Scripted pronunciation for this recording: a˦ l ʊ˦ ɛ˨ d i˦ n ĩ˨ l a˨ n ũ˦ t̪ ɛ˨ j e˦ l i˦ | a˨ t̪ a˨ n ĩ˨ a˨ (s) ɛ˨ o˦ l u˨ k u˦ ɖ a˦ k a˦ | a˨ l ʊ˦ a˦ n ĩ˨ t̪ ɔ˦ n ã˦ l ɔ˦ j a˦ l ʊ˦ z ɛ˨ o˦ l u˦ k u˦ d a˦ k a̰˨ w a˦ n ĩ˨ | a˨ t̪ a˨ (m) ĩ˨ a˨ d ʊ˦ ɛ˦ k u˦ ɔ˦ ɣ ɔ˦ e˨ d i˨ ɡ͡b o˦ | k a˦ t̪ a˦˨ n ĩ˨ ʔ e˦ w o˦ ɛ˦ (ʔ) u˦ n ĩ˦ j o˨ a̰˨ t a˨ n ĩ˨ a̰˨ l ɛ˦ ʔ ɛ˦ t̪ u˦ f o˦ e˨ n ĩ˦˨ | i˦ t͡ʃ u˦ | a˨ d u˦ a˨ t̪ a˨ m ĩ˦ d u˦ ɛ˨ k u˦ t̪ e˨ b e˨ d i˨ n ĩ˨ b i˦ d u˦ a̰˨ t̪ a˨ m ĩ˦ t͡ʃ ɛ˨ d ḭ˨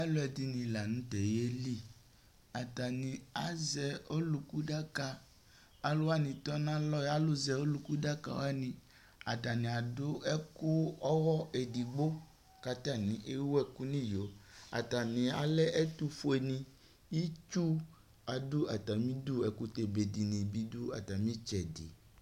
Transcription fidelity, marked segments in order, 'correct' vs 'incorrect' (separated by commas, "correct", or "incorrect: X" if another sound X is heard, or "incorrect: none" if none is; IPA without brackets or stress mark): incorrect: z, incorrect: n, incorrect: k